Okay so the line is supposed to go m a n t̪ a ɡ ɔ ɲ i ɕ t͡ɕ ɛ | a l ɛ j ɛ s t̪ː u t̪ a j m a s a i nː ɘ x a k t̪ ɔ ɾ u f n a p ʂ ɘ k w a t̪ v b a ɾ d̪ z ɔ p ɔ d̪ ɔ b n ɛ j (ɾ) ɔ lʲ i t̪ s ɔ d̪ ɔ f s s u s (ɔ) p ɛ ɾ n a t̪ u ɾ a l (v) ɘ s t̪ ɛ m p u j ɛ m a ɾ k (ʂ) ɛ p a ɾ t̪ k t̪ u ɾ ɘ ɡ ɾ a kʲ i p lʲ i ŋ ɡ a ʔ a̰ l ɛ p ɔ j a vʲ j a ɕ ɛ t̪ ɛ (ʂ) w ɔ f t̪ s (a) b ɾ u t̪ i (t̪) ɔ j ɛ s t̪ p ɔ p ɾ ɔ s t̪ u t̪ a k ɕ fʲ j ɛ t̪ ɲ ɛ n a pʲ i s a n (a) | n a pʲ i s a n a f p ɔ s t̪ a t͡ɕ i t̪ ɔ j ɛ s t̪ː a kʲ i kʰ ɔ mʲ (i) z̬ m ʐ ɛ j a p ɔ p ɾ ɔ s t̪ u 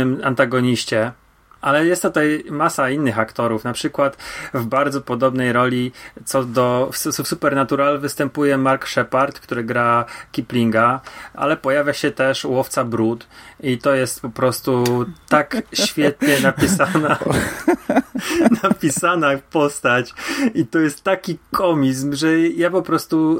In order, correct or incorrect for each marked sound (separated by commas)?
correct, incorrect, correct, correct, correct, correct, correct, correct, correct